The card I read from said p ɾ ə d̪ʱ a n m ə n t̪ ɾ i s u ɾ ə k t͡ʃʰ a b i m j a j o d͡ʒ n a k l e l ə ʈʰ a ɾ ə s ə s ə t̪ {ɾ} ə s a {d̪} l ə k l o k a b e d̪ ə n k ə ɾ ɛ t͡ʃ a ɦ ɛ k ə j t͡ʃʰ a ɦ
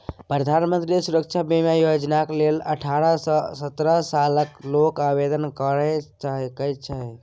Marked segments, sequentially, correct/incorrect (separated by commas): correct, incorrect